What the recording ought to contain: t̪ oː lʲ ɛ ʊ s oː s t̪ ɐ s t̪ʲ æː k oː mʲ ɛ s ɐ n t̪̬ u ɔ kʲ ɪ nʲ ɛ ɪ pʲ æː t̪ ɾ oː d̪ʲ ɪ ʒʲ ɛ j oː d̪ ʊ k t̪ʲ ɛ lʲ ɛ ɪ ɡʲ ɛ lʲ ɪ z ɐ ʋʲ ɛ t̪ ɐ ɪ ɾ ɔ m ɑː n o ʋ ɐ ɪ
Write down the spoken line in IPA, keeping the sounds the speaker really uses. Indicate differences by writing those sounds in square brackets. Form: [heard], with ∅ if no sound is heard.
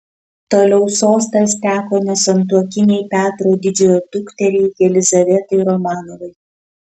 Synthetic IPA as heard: t̪ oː lʲ ɛ ʊ s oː s t̪ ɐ s t̪ʲ æː k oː [nʲ] ɛ s ɐ n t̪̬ u ɔ kʲ ɪ nʲ ɛ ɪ pʲ æː t̪ ɾ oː d̪ʲ ɪ [d͡ʒʲ] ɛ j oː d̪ ʊ k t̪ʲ ɛ [ɾʲ] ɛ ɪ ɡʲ ɛ lʲ ɪ z ɐ ʋʲ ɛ t̪ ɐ ɪ ɾ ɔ m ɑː n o ʋ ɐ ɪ